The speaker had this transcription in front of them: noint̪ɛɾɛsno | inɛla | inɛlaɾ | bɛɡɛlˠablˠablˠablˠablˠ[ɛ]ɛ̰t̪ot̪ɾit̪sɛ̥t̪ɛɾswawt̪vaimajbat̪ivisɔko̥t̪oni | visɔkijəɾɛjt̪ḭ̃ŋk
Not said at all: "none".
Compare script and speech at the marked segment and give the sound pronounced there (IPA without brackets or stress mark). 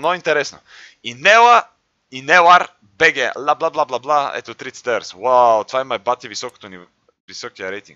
a